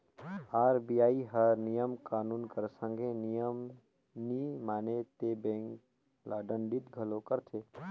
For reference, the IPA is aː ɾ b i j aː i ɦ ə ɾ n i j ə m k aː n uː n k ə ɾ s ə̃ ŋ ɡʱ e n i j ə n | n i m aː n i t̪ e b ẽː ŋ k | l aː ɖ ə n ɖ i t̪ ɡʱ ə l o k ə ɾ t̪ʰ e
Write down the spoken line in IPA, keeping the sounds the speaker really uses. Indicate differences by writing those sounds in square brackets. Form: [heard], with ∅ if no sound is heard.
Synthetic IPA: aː ɾ b i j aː i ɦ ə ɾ n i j ə m k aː n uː n k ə ɾ s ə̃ ŋ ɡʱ e n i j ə [m] | n i m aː n [e] t̪ e b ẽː ŋ k | l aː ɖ ə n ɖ i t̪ ɡʱ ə l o k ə ɾ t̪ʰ e

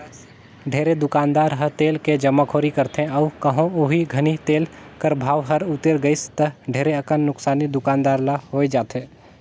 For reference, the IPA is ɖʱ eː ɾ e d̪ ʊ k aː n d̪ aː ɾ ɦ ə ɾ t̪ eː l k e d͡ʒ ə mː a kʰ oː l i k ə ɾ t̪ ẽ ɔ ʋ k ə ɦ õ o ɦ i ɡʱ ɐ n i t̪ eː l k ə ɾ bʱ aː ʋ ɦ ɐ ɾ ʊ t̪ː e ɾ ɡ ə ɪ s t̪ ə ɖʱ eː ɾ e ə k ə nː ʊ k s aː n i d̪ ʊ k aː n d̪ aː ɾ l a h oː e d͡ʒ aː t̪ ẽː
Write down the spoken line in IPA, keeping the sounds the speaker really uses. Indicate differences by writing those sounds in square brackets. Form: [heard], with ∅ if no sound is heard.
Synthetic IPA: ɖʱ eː ɾ e d̪ ʊ k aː n d̪ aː ɾ ɦ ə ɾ t̪ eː l k e d͡ʒ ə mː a kʰ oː [ɾ] i k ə ɾ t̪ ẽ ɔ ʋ k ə ɦ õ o ɦ i ɡʱ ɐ n i t̪ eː l k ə ɾ bʱ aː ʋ ɦ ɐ ɾ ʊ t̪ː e ɾ ɡ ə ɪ s t̪ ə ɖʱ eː ɾ e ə k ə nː ʊ k s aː n i d̪ ʊ k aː n d̪ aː ɾ l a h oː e d͡ʒ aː t̪ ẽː

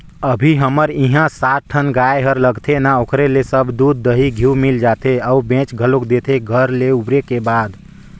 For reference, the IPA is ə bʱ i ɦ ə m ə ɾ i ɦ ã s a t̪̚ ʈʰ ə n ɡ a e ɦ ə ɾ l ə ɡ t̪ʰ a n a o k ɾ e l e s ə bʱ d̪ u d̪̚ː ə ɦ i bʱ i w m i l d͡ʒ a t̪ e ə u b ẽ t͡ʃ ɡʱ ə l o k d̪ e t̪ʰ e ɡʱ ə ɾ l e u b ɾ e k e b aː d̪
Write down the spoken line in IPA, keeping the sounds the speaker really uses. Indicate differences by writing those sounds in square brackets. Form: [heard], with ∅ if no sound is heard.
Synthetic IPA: ə bʱ i ɦ ə m ə ɾ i ɦ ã s a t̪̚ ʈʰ ə n ɡ a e ɦ ə ɾ l ə ɡ t̪ʰ [e] n a o k ɾ e l e s ə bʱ d̪ u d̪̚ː ə ɦ i [ɡʱ] i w m i l d͡ʒ a t̪ e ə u b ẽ t͡ʃ ɡʱ ə l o k d̪ e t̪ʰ e ɡʱ ə ɾ l e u b ɾ e k e b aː d̪

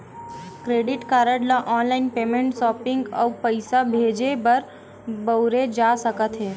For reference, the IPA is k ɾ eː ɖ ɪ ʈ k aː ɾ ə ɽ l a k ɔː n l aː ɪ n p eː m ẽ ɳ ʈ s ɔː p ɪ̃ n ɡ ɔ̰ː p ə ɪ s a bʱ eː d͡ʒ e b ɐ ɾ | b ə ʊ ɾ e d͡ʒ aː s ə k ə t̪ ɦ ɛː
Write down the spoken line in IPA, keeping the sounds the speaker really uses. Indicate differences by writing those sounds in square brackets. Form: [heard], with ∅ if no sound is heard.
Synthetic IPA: k ɾ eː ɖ ɪ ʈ k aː ɾ ə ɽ l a [ʔ] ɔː n l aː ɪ n p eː m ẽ ɳ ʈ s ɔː p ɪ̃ [ŋ] ɡ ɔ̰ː p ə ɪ s a bʱ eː d͡ʒ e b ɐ ɾ | b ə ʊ ɾ e d͡ʒ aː s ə k ə t̪ ɦ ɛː

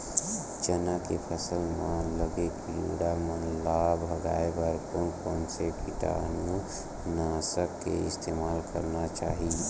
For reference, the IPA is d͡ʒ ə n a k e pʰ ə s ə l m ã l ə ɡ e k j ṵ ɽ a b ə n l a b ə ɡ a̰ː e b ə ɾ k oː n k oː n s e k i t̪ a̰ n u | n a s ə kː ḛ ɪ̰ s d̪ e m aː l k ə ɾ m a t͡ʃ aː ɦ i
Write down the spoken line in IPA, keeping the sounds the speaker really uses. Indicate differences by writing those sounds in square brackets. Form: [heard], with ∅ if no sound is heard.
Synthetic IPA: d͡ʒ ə n a k e pʰ ə s ə l m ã l ə ɡ e k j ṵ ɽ a [m] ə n l a b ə ɡ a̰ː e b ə ɾ k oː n k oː n s e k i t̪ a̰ n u | n a s ə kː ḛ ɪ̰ s [t̪] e m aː l k ə ɾ [n] a t͡ʃ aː ɦ i

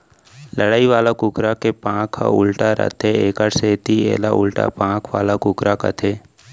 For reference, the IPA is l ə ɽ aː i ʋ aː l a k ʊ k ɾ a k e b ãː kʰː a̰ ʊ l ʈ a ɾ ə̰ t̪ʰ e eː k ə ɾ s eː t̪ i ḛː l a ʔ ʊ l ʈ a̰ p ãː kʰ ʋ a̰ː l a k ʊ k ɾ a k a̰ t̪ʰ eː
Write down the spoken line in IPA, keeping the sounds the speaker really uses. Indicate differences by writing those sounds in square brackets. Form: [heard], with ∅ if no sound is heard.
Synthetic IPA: l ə ɽ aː i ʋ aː l a k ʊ k ɾ a k e [p] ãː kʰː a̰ ʊ l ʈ a ɾ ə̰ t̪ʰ e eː k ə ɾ s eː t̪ i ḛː l a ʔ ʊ l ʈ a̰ p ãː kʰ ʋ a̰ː l a k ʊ k ɾ a k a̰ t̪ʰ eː

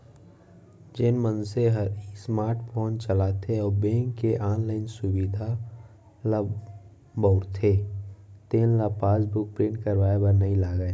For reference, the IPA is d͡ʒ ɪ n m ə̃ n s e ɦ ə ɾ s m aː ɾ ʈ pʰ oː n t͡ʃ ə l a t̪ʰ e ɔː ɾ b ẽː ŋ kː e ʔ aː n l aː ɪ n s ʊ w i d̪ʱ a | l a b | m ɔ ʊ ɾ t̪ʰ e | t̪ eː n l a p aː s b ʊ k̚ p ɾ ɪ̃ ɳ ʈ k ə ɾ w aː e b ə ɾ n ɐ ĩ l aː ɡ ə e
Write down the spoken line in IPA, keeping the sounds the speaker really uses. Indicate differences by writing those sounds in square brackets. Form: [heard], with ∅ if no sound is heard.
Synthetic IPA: d͡ʒ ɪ n m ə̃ n s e ɦ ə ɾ s m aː ɾ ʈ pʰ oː n t͡ʃ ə l a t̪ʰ e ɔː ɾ b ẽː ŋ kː e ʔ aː n l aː ɪ n s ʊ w i d̪ʱ a | l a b | [b] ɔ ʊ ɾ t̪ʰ e | t̪ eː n l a p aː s b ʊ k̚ p ɾ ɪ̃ ɳ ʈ k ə ɾ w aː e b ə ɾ n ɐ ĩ l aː ɡ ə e

